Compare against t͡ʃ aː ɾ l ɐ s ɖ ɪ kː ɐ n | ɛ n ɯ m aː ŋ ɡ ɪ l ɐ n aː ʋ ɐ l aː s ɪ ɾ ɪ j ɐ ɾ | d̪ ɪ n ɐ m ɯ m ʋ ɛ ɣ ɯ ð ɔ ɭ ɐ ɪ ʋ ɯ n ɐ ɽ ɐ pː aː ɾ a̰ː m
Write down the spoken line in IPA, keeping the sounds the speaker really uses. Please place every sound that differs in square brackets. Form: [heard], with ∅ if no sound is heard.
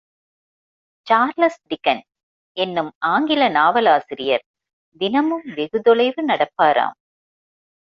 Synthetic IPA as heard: t͡ʃ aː ɾ l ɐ s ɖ ɪ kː ɐ n | ɛ [nː] ɯ m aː ŋ ɡ ɪ l ɐ n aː ʋ ɐ l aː s ɪ ɾ ɪ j ɐ ɾ | d̪ ɪ n ɐ m ɯ m ʋ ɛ ɣ ɯ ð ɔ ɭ ɐ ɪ ʋ ɯ n ɐ ɽ ɐ pː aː ɾ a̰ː m